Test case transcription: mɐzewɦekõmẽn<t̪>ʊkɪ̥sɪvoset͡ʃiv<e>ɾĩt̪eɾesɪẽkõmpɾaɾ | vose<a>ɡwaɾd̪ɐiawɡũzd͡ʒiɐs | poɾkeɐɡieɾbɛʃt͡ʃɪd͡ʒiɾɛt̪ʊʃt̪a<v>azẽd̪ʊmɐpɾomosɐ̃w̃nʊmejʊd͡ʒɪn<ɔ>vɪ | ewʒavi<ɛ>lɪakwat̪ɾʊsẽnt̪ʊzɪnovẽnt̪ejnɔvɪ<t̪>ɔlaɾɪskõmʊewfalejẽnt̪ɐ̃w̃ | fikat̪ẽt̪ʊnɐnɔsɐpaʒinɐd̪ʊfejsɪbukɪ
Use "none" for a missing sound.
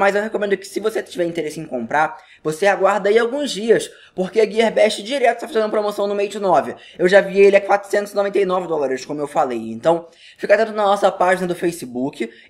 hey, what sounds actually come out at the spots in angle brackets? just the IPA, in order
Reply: d̪, ɛ, a, f, ɔ, e, d̪

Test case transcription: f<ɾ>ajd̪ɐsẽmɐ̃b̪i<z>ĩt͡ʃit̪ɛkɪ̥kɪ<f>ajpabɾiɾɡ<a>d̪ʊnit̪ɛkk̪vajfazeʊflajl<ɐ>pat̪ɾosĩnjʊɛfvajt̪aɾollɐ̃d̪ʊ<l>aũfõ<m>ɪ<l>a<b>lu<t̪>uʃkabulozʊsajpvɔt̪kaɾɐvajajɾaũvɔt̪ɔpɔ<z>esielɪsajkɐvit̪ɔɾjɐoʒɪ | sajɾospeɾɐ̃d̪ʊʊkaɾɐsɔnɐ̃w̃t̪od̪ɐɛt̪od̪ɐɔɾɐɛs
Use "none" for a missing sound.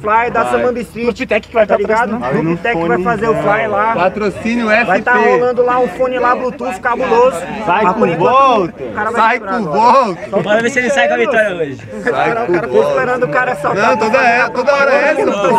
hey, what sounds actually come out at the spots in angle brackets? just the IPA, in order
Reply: l, s, v, a, a, l, n, l, b, t̪, v

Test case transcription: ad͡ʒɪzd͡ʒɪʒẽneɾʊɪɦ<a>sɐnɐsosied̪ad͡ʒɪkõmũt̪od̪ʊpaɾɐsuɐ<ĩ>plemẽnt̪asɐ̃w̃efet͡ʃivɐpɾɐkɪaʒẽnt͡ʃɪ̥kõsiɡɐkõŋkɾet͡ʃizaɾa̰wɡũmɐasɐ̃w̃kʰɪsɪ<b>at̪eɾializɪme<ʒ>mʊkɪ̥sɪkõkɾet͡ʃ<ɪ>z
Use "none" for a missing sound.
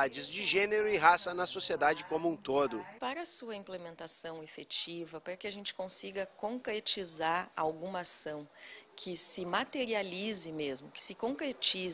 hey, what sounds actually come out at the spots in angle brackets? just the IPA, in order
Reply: a, ĩ, m, z, i

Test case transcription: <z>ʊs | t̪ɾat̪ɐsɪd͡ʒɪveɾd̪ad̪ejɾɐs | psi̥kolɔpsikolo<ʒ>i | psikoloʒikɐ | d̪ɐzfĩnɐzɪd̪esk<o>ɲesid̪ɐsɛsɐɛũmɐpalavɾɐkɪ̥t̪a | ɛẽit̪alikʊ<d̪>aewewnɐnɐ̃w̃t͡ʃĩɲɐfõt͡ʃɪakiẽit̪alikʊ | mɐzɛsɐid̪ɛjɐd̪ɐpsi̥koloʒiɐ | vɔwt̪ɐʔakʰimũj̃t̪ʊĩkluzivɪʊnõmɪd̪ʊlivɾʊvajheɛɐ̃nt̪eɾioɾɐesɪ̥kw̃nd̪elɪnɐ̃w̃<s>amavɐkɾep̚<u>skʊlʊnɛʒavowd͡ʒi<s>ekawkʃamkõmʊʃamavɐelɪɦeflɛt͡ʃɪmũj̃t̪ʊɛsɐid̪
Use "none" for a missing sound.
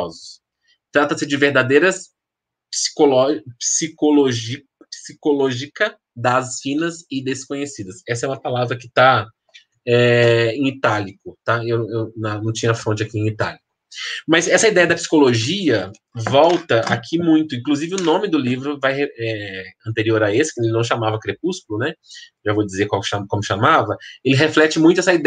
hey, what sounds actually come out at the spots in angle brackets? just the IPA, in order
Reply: z, ʒ, õ, t̪, ʃ, u, z

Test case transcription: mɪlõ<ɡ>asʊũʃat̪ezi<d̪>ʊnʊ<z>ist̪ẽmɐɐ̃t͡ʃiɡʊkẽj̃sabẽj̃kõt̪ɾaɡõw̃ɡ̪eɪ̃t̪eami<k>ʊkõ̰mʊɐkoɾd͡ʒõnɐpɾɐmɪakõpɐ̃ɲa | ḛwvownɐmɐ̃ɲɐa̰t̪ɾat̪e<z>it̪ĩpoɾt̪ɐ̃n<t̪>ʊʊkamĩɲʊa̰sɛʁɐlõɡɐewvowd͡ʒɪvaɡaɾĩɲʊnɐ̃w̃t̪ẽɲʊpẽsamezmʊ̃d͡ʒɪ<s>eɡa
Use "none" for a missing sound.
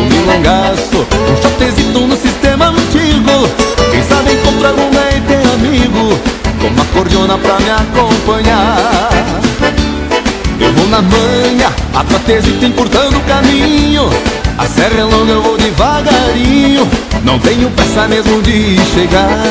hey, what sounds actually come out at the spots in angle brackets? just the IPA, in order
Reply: ɡ, t̪, s, ɡ, z, d̪, ʃ

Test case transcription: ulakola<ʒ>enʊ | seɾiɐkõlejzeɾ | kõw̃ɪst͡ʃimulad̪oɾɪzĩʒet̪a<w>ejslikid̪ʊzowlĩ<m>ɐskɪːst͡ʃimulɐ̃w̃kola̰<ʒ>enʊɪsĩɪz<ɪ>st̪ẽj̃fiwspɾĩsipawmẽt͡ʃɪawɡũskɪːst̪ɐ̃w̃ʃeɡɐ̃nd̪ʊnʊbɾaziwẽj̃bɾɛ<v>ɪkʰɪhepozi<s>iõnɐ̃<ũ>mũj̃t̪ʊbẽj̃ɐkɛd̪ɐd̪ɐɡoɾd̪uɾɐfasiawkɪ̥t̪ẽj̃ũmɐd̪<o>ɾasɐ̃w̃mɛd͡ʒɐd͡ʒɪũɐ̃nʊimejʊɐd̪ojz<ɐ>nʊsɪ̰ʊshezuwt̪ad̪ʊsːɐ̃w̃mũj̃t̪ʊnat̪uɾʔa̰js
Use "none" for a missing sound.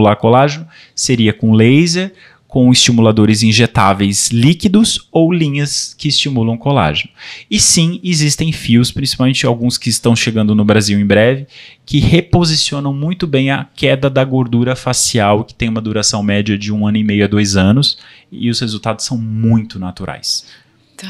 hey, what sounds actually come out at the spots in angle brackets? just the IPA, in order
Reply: ʒ, v, ɲ, ʒ, i, v, s, w̃, u, ɐ̃

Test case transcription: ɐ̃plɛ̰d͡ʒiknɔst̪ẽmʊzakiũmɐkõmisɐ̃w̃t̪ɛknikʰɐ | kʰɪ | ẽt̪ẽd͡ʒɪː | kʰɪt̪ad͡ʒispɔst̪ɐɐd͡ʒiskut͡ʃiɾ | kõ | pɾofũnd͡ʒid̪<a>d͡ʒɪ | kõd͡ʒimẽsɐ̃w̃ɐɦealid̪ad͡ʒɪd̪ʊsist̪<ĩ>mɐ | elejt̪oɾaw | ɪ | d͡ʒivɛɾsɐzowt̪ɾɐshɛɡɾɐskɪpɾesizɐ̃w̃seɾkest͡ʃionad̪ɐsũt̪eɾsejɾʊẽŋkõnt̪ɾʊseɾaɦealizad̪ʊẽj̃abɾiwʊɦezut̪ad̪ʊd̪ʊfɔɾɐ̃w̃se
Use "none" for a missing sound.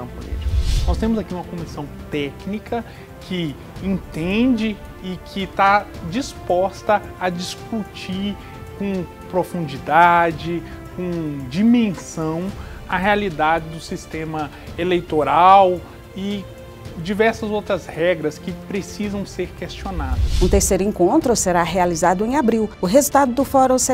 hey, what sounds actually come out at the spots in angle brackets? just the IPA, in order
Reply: a, ẽ

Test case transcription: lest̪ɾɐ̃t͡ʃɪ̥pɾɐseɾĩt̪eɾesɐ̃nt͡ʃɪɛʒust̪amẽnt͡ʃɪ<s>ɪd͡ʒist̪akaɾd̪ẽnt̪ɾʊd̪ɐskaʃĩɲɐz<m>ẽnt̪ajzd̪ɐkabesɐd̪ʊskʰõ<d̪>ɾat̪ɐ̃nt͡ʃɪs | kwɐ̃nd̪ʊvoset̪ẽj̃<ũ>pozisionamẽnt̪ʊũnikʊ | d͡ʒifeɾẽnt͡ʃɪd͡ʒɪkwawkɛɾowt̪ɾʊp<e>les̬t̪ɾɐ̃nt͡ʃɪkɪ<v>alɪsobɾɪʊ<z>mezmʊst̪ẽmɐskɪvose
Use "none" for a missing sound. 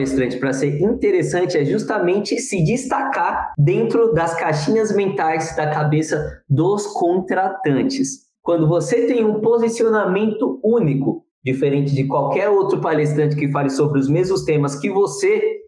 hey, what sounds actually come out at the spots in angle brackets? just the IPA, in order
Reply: s, m, t̪, ũ, a, f, z

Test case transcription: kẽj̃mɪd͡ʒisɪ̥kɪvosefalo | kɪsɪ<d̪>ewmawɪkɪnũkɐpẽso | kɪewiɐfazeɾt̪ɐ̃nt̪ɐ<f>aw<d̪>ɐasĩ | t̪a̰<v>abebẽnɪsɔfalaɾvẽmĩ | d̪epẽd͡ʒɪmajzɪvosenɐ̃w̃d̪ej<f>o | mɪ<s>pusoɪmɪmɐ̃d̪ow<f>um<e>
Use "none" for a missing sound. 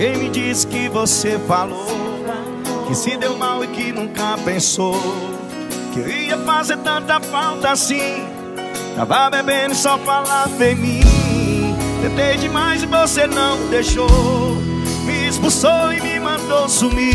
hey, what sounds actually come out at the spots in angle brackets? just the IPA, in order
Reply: d̪, f, t̪, v, ʃ, s, s, i

